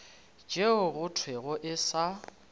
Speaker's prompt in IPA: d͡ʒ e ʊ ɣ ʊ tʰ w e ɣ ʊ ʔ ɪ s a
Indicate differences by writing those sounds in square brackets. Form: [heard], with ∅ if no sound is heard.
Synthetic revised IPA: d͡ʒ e ʊ ɣ ʊ tʰ w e ɣ ʊ ʔ ɪ s a